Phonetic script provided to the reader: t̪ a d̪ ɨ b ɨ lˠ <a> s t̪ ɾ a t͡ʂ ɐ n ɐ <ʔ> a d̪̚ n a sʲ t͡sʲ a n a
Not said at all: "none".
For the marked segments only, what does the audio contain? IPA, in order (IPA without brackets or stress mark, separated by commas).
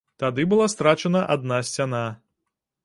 a, ʔ